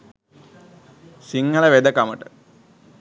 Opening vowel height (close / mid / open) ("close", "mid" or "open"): close